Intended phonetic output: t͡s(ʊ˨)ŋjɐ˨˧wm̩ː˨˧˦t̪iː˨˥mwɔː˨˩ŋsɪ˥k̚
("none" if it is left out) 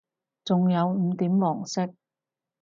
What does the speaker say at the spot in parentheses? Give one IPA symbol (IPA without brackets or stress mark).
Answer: ʊ˨